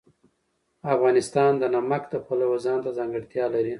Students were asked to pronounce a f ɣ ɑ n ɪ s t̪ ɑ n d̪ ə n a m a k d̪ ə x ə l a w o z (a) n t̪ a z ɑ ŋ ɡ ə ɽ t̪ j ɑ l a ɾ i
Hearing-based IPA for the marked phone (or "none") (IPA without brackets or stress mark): ɑ